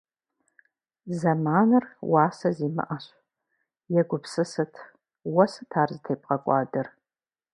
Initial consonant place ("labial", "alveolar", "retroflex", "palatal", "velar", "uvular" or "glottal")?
alveolar